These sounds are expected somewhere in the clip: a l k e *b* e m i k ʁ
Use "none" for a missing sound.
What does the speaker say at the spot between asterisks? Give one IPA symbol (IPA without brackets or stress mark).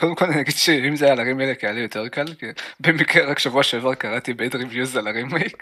b